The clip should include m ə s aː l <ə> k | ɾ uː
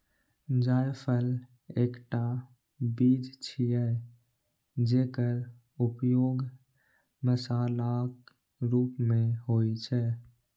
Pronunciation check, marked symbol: incorrect: a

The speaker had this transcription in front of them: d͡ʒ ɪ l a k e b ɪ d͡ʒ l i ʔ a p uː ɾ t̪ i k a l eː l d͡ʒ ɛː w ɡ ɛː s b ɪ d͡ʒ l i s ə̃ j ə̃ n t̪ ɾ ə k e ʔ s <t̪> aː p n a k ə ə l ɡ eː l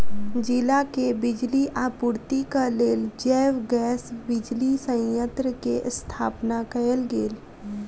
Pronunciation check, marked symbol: incorrect: t̪ʰ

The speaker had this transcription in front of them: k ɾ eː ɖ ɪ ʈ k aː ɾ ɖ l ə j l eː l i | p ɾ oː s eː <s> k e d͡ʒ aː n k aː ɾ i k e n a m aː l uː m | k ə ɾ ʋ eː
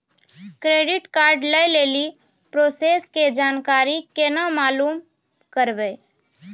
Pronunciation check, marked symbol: correct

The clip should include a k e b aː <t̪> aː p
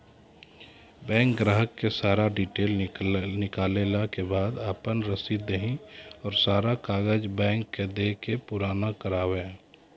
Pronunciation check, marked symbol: incorrect: d̪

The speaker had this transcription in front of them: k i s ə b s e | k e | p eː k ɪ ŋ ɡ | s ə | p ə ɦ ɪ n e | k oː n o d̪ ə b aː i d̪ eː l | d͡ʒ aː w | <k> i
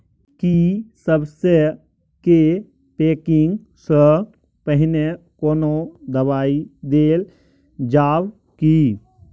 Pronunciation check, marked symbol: correct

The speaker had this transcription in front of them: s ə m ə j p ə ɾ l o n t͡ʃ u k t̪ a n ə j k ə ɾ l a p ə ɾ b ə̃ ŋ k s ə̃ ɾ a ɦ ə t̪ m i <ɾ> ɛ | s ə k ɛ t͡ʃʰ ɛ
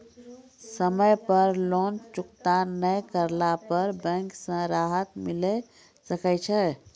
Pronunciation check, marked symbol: incorrect: l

